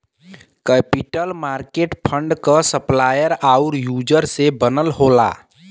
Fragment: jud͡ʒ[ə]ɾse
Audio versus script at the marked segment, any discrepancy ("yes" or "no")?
no